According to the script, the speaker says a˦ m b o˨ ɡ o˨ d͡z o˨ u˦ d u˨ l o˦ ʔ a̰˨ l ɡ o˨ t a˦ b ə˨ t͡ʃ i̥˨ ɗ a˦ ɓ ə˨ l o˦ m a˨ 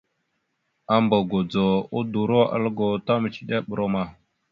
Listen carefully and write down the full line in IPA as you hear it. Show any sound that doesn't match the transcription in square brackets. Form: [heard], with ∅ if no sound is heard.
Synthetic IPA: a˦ m b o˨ ɡ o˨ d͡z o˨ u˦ d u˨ [ɾ] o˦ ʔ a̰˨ l ɡ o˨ t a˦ [m] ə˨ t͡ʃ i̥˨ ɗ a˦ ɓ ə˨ [ɾ] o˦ m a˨